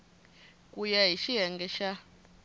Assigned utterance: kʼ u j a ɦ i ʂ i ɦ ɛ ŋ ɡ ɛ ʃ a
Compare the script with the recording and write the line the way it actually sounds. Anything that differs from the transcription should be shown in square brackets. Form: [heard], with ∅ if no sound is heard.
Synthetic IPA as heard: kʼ u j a ɦ i [ʃ] i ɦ ɛ ŋ ɡ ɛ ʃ a